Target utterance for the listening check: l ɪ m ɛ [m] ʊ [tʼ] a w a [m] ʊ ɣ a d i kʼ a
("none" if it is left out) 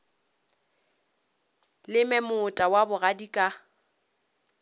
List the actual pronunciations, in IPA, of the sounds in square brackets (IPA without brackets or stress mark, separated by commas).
m, tʼ, b